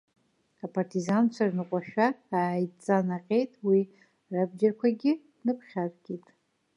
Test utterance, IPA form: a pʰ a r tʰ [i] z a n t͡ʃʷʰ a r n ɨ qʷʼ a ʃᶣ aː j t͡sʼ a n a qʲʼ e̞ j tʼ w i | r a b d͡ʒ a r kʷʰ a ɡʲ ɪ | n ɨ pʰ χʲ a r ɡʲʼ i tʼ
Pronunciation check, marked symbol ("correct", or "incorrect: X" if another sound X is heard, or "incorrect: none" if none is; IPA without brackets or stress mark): correct